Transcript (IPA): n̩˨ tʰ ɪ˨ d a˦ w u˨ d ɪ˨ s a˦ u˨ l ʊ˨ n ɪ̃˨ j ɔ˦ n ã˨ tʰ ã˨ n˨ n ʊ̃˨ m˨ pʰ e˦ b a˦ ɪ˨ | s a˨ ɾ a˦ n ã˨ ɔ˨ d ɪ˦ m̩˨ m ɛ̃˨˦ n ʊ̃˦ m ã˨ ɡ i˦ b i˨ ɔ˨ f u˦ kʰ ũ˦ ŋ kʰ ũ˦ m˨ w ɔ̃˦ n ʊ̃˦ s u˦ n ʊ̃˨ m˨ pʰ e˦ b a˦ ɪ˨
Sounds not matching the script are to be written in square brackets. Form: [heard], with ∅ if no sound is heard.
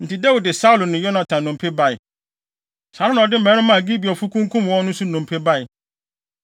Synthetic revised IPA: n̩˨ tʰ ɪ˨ d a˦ w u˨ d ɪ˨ s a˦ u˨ l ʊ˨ n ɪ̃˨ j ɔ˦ n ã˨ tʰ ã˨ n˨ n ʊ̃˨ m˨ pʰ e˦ b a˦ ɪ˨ | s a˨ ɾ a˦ n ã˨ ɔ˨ d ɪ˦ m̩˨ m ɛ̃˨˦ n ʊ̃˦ m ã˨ ɡ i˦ b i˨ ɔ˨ f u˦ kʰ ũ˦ ŋ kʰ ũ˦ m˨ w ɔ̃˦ n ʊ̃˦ s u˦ n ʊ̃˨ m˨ pʰ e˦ b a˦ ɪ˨